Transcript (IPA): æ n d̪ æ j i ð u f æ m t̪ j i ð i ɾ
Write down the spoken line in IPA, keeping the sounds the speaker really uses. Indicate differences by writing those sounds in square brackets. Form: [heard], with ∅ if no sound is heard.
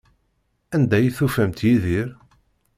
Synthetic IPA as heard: æ n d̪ æ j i [θ] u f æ m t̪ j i ð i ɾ